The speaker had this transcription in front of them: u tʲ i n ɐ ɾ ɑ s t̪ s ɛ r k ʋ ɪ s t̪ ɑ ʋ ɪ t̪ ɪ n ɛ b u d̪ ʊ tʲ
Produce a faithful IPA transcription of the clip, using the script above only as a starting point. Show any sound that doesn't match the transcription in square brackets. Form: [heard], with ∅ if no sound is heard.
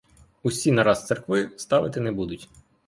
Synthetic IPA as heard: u [sʲ] i n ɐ ɾ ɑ s t̪ s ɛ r k ʋ ɪ s t̪ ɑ ʋ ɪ t̪ ɪ n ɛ b u d̪ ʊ tʲ